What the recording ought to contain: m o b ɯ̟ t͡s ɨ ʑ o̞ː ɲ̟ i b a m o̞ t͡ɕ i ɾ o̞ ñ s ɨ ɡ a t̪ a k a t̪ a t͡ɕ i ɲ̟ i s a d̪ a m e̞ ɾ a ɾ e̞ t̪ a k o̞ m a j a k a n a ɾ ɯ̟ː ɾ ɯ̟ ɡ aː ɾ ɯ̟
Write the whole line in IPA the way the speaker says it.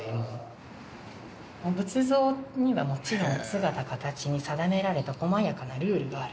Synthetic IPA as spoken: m o b ɯ̟ t͡s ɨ z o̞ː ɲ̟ i β a m o̞ t͡ɕ i ɾ õ̞ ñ s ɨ ɡ a t̪ a k a t̪ a t͡ɕ i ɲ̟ i s a d̪ a m e̞ ɾ a ɾ e̞ t̪ a k o̞ m a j a k a n a ɾ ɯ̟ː ɾ ɯ̟ ɡ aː ɾ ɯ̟